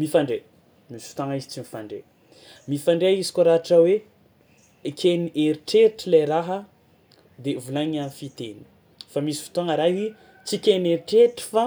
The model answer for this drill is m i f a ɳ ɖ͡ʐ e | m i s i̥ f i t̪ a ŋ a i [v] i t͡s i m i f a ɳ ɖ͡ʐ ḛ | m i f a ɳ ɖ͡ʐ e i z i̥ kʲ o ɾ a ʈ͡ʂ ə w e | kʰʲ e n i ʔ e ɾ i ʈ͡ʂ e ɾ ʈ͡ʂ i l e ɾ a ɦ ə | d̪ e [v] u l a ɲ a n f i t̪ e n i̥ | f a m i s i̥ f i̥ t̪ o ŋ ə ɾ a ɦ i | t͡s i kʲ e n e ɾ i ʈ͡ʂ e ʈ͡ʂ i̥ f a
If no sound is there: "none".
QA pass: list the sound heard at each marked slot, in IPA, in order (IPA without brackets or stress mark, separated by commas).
z, v